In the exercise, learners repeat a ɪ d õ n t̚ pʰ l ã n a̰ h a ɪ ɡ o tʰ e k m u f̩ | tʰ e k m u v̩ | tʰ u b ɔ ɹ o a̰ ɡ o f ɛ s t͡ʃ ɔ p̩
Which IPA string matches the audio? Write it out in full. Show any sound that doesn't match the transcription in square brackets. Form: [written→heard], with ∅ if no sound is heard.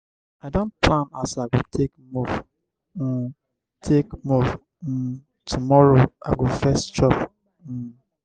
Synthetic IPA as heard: a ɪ d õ n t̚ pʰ l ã n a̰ [h→s] a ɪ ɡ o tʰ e k m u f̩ | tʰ e k m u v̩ | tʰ u [b→m] ɔ ɹ o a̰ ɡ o f ɛ s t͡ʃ ɔ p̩